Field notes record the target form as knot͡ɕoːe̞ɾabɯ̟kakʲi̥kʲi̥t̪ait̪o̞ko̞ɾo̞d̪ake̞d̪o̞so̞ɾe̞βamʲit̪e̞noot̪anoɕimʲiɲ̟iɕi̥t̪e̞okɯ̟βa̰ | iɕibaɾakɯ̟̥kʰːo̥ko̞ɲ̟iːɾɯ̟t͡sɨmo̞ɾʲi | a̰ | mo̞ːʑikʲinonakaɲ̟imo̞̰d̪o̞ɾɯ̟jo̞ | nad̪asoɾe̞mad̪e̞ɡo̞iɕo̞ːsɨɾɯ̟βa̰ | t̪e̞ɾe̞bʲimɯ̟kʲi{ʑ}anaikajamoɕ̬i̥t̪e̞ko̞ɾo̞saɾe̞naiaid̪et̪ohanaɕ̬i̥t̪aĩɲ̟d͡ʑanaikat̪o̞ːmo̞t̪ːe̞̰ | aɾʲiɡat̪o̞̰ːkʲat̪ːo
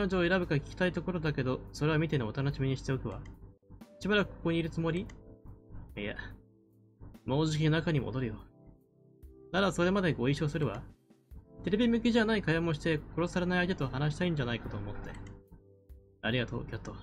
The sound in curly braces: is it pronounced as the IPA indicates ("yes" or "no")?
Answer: yes